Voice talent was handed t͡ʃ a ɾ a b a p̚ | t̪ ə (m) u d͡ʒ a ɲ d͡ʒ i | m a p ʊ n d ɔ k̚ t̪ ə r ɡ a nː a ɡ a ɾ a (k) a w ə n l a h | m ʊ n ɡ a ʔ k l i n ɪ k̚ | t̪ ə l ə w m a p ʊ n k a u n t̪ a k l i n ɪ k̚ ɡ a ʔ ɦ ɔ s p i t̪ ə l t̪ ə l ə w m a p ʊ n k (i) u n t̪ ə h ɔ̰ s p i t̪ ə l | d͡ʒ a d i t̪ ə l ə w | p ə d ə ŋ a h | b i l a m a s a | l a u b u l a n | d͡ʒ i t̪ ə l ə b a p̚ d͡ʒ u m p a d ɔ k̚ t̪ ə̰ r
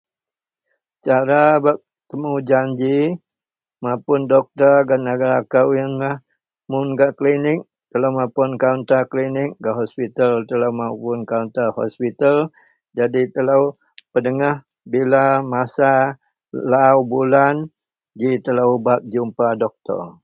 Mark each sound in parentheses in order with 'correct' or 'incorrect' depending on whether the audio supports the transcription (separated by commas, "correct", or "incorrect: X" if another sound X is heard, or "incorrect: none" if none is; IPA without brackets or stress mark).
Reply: correct, correct, incorrect: a